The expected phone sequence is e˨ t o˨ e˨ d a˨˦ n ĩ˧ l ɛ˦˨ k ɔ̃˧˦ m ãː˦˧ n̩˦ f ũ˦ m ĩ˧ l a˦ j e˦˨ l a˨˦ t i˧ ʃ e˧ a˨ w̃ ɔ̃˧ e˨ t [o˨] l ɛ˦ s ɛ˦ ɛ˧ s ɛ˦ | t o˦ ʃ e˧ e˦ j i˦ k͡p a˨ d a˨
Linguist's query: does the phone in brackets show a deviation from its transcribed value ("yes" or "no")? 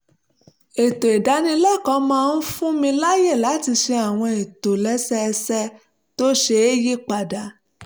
no